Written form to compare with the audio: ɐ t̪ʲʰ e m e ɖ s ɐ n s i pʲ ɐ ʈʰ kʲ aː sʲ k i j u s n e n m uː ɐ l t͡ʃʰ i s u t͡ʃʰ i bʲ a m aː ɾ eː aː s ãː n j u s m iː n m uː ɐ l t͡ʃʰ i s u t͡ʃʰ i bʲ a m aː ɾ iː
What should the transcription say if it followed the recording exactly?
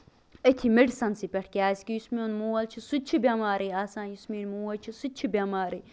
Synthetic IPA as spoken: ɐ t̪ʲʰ i m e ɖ s ɐ n s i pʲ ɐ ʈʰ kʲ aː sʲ k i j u s m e n m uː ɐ l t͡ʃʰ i s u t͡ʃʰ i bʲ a m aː ɾ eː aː s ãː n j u s m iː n m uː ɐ l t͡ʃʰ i s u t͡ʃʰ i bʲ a m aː ɾ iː